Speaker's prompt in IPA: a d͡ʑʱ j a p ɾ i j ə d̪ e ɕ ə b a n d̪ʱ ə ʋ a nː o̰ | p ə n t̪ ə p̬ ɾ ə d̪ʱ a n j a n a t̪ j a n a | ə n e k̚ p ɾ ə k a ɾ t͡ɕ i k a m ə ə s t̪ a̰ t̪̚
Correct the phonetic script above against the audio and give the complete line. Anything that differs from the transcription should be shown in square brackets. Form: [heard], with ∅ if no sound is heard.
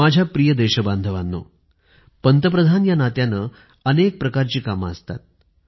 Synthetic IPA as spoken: a d͡ʑʱ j a p ɾ i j ə d̪ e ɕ ə b a n d̪ʱ ə ʋ a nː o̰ | p ə n t̪ ə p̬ ɾ ə d̪ʱ a n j a n a t̪ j a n [ə] | ə n e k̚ p ɾ ə k a ɾ t͡ɕ [iː] k a m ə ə s t̪ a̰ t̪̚